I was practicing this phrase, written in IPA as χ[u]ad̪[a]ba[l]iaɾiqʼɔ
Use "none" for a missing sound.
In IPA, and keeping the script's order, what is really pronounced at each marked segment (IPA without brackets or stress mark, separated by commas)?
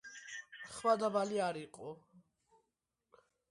w, a, l